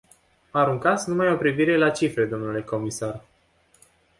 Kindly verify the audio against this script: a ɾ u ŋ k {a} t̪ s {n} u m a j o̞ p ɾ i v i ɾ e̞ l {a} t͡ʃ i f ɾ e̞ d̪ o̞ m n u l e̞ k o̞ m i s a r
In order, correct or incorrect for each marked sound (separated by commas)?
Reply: correct, correct, correct